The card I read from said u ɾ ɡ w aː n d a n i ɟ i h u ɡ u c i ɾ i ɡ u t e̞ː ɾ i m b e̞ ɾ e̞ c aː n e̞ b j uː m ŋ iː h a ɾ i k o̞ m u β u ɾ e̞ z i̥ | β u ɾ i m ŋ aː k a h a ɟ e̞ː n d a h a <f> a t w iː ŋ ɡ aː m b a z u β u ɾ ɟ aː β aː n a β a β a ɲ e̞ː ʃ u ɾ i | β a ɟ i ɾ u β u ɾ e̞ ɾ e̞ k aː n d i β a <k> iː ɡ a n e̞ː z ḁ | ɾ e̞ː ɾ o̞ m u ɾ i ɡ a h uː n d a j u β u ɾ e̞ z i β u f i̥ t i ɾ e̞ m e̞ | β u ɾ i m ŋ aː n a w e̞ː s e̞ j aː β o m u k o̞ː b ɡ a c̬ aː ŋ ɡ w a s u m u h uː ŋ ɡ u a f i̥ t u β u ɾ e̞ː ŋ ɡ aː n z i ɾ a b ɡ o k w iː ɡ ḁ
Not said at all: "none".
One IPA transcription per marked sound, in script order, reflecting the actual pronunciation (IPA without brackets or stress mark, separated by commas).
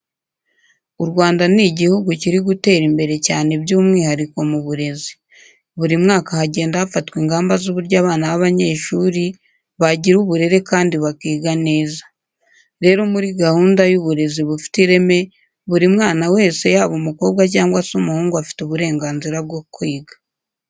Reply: f, k